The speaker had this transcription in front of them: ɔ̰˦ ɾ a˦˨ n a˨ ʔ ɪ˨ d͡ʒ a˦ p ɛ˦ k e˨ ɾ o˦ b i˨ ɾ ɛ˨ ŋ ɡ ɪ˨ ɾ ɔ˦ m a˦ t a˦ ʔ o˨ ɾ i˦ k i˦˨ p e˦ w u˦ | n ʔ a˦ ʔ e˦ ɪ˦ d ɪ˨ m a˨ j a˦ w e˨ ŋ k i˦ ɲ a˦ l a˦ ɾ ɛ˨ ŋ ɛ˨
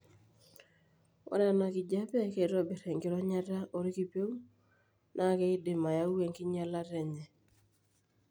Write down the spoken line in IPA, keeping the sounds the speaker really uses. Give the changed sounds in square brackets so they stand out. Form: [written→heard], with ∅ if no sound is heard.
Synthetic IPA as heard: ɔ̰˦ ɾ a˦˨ n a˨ [ʔ→k] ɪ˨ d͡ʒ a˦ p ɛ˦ k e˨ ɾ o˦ b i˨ ɾ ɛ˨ ŋ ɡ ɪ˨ ɾ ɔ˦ [m→ɲ] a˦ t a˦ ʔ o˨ ɾ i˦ k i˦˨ p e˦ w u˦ | n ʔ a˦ [ʔ→k] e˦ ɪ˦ d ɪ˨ m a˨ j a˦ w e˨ ŋ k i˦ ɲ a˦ l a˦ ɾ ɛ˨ [ŋ→ɲ] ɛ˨